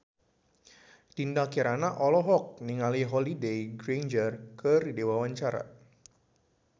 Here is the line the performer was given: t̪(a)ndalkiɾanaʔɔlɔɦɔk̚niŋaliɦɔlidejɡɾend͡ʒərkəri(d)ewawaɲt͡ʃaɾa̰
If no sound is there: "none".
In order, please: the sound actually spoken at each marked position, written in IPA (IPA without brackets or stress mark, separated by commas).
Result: i, d